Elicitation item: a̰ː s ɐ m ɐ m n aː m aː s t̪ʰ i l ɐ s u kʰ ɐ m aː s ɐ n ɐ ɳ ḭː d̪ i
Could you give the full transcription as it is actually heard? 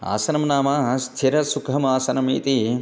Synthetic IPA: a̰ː s ɐ n ɐ m n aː m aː s t̪ʰ i ɾ ɐ s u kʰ ɐ m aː s ɐ n ɐ m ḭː t̪ i